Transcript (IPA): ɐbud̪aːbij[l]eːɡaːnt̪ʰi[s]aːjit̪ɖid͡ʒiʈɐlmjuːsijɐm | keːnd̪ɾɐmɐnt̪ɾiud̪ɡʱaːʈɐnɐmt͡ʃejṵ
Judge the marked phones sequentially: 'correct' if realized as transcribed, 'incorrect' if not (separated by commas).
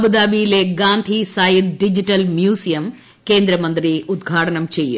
correct, correct